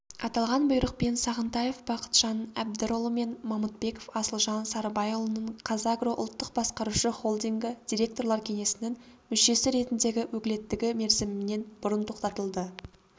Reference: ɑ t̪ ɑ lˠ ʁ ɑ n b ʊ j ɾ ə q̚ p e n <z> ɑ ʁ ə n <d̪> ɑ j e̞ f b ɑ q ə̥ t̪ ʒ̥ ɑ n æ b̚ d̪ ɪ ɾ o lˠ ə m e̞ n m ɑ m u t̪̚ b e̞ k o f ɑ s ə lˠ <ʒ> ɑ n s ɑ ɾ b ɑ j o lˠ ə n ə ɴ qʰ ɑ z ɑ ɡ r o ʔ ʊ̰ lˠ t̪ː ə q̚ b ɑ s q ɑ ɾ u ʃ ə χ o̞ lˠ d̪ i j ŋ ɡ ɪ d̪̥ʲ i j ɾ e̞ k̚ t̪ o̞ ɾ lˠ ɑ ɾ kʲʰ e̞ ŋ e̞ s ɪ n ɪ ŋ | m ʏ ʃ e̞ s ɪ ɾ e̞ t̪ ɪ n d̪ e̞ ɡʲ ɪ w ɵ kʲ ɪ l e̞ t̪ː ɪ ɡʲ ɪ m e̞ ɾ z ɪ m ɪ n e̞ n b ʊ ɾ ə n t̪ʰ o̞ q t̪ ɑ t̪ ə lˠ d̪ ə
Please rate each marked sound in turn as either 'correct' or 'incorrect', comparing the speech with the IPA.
incorrect: s, incorrect: t̪, correct

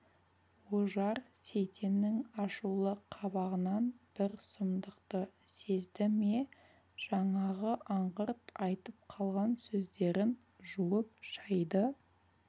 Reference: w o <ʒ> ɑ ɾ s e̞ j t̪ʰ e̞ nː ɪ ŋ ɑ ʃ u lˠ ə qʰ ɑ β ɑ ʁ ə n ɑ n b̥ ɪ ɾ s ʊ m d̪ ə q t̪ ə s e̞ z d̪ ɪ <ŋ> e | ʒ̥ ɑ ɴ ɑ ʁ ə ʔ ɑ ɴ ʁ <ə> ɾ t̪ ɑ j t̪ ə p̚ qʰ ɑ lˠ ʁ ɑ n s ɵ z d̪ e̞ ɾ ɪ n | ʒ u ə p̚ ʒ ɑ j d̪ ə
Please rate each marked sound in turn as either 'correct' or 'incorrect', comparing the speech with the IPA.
correct, incorrect: m, correct

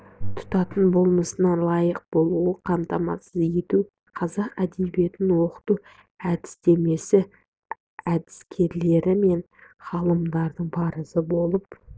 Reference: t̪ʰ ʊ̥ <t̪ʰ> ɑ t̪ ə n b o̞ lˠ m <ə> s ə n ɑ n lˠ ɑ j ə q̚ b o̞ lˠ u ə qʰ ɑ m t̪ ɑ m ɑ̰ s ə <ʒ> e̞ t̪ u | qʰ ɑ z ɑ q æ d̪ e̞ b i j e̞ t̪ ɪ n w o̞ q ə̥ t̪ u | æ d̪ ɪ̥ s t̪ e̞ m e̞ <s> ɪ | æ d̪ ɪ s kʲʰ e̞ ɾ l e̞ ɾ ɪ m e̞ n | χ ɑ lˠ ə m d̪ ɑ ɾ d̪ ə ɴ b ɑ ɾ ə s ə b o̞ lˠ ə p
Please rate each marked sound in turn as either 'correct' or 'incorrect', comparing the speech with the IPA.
incorrect: t̪, correct, incorrect: z, correct

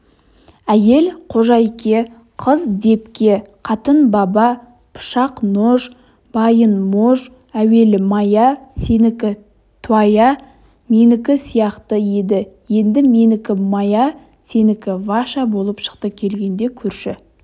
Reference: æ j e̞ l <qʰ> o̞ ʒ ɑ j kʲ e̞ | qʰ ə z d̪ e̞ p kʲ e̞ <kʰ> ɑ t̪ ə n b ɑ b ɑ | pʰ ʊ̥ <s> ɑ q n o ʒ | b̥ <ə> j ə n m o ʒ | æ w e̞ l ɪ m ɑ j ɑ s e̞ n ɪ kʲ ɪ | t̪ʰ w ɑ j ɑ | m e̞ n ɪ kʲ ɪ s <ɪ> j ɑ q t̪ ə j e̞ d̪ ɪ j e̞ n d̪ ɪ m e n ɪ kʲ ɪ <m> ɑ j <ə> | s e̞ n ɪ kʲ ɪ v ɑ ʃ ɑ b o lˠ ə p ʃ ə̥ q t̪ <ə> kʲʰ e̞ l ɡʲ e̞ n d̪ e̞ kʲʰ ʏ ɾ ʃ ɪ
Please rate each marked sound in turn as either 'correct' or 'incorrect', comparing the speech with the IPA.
correct, incorrect: qʰ, incorrect: ʃ, incorrect: ɑ, incorrect: i, correct, incorrect: ɑ, correct

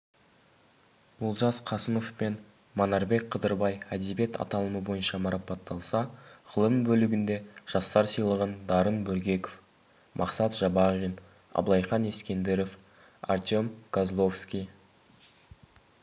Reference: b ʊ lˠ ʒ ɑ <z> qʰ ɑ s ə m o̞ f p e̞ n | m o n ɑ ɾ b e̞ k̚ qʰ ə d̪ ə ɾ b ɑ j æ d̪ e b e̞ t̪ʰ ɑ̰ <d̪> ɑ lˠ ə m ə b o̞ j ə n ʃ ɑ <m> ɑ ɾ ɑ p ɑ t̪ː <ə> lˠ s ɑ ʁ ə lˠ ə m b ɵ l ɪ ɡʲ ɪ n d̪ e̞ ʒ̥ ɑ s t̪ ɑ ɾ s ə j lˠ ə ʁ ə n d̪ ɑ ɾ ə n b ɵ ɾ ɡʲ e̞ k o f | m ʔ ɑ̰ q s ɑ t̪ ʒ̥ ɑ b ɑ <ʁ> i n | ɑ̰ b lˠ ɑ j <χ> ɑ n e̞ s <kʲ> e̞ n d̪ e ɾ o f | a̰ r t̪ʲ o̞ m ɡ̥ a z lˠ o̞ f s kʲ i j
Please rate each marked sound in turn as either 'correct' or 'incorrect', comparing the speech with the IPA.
incorrect: s, incorrect: t̪, correct, incorrect: ɑ, correct, correct, correct

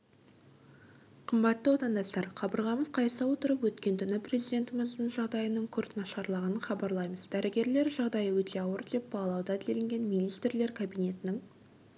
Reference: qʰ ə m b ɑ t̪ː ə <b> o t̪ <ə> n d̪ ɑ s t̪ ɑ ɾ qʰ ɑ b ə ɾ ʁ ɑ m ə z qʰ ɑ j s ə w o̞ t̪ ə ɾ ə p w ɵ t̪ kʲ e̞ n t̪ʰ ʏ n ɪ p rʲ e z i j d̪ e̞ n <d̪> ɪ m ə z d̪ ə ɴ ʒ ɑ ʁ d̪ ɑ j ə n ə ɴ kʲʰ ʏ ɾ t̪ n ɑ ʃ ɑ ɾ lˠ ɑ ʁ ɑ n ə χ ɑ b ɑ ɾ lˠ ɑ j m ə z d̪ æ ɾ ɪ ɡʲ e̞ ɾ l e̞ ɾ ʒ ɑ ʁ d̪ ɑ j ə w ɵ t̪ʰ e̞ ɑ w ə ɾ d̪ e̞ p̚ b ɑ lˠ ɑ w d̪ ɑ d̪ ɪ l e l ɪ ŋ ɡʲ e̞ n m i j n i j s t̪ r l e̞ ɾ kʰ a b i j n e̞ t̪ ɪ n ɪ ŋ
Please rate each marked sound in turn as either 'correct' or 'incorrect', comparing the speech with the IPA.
incorrect: w, incorrect: ɑ, incorrect: t̪

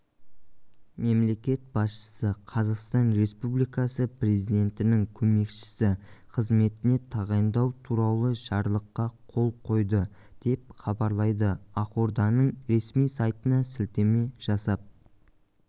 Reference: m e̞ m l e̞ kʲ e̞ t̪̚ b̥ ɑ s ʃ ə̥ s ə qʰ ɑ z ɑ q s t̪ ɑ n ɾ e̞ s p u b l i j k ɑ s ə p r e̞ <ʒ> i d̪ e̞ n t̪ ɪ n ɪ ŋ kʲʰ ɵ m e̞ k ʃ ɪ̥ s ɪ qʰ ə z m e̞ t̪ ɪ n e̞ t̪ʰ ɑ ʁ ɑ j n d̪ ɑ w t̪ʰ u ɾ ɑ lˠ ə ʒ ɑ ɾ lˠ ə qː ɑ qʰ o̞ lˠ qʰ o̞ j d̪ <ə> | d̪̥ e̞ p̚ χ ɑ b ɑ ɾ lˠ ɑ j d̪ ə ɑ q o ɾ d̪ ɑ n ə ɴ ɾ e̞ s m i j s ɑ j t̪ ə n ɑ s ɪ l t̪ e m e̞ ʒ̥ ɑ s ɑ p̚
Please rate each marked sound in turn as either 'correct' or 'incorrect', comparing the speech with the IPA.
incorrect: z, correct

